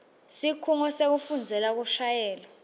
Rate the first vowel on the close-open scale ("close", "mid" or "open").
close